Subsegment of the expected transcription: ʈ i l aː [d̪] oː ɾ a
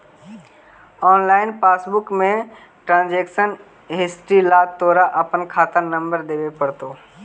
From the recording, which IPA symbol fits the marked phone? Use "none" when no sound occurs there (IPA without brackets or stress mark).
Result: t̪